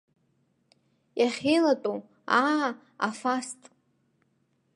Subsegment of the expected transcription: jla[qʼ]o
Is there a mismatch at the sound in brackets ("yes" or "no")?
yes